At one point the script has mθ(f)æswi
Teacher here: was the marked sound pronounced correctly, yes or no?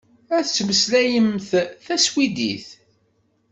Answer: no